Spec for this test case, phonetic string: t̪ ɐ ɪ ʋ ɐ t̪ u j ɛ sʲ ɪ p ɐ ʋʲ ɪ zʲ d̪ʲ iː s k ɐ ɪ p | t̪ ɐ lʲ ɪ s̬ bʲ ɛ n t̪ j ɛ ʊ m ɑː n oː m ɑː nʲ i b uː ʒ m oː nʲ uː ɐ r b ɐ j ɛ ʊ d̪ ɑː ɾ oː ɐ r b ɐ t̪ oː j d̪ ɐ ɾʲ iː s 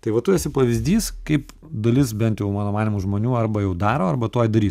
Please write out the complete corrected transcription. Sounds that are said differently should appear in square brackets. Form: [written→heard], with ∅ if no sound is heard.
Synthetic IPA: t̪ ɐ ɪ ʋ ɐ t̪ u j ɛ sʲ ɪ p ɐ ʋʲ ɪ zʲ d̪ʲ iː s k ɐ ɪ p | [t̪→d̪] ɐ lʲ ɪ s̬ bʲ ɛ n t̪ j ɛ ʊ m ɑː n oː m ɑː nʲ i [b→m] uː ʒ m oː nʲ uː ɐ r b ɐ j ɛ ʊ d̪ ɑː ɾ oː ɐ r b ɐ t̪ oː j d̪ ɐ ɾʲ iː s